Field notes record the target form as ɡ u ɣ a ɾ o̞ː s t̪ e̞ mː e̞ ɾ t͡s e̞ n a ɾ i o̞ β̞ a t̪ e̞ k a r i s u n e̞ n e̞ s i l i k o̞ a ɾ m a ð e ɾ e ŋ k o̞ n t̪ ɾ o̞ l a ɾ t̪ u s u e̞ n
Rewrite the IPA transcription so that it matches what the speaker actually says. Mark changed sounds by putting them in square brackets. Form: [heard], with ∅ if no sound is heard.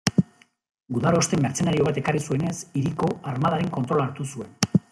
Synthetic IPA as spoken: ɡ u [ð] a ɾ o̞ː s t̪ e̞ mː e̞ ɾ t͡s e̞ n a ɾ i o̞ β̞ a t̪ e̞ k a r i s u [∅] e̞ n e̞ s i [ɾ] i k o̞ a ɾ m a ð [a] ɾ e ŋ k o̞ n t̪ ɾ o̞ l a ɾ t̪ u s u e̞ n